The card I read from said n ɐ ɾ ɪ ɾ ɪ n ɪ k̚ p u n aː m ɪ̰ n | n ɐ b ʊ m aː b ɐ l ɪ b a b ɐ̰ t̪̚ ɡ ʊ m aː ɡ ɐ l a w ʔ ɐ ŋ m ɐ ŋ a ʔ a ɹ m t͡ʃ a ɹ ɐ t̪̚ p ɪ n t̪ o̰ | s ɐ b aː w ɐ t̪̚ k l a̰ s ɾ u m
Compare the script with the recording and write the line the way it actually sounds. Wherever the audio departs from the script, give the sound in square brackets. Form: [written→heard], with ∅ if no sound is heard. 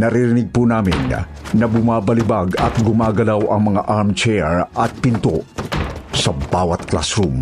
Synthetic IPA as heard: n ɐ ɾ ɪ ɾ ɪ n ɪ [k̚→ɡ̚] p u n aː m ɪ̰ n | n ɐ b ʊ m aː b ɐ l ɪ b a [b→ɡ] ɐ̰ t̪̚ ɡ ʊ m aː ɡ ɐ l a w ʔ ɐ ŋ m ɐ ŋ a ʔ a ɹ m t͡ʃ [a→ɛ] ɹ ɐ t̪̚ p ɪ n t̪ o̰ | s ɐ b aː w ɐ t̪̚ k l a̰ s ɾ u m